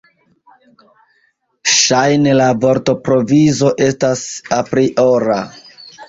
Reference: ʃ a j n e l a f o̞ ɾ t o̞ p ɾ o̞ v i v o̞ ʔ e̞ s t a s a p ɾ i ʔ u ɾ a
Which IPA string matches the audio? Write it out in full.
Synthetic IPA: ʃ a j n e l a v o̞ ɾ t o̞ p ɾ o̞ v i z o̞ ʔ e̞ s t a s a p ɾ i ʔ o ɾ a